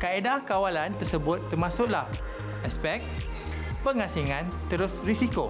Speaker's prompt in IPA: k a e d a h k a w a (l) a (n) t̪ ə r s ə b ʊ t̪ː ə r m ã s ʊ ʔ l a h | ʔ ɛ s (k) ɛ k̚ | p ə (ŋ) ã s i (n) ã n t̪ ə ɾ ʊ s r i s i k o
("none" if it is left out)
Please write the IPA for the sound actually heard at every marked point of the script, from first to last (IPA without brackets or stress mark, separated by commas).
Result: l, n, p, ŋ, ŋ